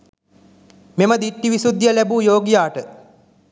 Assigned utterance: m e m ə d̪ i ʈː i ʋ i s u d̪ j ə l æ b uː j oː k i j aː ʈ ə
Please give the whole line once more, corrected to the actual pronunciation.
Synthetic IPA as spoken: m e m ə d̪ i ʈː i ʋ i s u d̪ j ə l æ b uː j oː ɡ i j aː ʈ ə